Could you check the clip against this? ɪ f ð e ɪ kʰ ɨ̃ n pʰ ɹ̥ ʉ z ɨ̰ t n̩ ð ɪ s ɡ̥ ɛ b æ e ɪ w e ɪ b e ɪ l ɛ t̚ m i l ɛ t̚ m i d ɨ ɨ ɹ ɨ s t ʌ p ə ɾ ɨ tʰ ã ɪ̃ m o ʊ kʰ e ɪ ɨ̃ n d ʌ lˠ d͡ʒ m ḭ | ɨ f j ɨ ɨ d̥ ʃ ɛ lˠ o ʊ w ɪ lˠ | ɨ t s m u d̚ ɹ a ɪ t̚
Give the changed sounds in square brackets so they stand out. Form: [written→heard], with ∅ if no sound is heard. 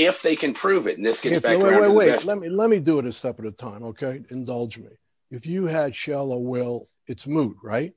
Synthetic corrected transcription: ɪ f ð e ɪ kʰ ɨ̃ n pʰ ɹ̥ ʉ [z→v] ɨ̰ t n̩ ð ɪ s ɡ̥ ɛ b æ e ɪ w e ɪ [b→w] e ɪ l ɛ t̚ m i l ɛ t̚ m i d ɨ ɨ [ɹ→ɾ] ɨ s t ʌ p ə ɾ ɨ tʰ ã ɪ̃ m o ʊ kʰ e ɪ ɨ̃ n d ʌ lˠ d͡ʒ m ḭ | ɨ f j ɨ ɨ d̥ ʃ ɛ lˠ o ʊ w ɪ lˠ | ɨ t s m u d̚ ɹ a ɪ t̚